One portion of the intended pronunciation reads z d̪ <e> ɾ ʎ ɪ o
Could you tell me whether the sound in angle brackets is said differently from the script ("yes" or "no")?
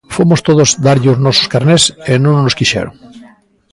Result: yes